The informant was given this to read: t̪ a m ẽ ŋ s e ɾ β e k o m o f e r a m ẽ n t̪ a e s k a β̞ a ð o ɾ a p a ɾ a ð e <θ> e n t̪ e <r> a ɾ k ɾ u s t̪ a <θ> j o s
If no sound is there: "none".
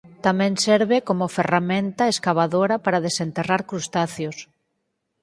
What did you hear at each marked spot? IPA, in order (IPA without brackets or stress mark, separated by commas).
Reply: s, r, θ